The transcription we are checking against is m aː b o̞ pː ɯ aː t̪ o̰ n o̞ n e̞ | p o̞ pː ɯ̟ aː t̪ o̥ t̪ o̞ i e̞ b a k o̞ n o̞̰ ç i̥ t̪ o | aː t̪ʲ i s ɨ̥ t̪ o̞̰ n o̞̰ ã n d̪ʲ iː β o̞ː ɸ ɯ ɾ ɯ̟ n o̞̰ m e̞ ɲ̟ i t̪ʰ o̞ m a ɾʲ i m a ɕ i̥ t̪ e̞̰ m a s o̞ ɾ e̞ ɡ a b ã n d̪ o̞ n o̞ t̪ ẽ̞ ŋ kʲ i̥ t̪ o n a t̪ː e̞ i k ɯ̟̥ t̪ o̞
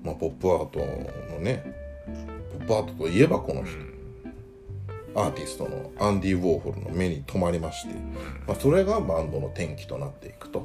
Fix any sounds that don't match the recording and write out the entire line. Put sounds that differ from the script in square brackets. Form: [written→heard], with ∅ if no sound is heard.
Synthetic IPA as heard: m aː [b→p] o̞ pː ɯ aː t̪ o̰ n o̞ n e̞ | p o̞ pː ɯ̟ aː t̪ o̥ t̪ o̞ i e̞ b a k o̞ n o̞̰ ç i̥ t̪ o | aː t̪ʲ i s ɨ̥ t̪ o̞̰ n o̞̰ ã n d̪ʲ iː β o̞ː ɸ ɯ ɾ ɯ̟ n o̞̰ m e̞ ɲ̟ i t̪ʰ o̞ m a ɾʲ i m a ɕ i̥ t̪ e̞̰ m a s o̞ ɾ e̞ ɡ a b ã n d̪ o̞ n o̞ t̪ ẽ̞ ŋ kʲ i̥ t̪ o n a t̪ː e̞ i k ɯ̟̥ t̪ o̞